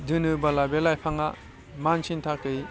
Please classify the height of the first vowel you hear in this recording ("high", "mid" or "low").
high